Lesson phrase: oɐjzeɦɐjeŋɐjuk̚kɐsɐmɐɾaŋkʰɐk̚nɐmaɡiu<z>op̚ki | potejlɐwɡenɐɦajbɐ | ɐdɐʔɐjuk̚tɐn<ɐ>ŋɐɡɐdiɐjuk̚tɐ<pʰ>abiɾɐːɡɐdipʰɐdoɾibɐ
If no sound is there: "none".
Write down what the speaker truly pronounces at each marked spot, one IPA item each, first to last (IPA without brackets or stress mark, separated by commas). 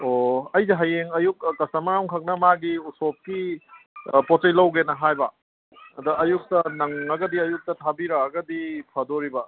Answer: s, ɐ, tʰ